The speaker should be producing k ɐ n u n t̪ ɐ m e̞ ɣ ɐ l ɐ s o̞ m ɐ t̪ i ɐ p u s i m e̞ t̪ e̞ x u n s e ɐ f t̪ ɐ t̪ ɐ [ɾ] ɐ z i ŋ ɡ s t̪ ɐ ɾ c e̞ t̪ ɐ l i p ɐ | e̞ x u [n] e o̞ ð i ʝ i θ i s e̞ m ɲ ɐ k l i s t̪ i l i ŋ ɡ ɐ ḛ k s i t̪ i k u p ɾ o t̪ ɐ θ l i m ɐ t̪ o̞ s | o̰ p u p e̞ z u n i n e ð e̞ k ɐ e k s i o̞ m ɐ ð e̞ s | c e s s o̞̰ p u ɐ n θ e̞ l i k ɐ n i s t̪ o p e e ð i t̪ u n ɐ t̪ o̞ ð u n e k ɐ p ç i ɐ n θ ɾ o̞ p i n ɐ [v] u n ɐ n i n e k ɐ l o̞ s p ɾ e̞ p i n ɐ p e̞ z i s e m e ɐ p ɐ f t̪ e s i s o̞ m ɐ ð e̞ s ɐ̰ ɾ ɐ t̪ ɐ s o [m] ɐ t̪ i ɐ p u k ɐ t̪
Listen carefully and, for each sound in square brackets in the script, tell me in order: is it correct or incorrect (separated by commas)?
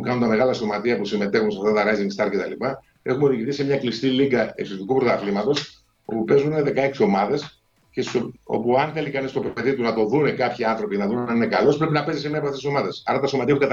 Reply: correct, incorrect, incorrect, correct